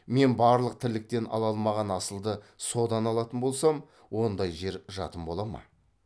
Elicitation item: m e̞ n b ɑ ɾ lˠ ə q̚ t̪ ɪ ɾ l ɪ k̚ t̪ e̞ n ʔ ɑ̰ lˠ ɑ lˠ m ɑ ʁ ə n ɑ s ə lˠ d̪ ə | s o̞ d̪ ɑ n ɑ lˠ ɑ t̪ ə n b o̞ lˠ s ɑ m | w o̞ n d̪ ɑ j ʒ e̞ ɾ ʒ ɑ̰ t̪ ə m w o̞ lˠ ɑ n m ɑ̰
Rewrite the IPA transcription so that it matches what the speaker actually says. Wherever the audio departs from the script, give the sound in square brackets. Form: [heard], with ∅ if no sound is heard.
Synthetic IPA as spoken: m e̞ n b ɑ ɾ lˠ ə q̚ [t̪ʰ] ɪ ɾ l ɪ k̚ t̪ e̞ n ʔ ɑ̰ lˠ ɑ lˠ m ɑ ʁ [ɑ] n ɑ s ə lˠ d̪ ə | s o̞ d̪ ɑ n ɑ lˠ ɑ t̪ ə n b o̞ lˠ s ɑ m | w o̞ n d̪ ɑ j ʒ e̞ ɾ ʒ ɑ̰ t̪ ə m [b] o̞ lˠ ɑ [∅] m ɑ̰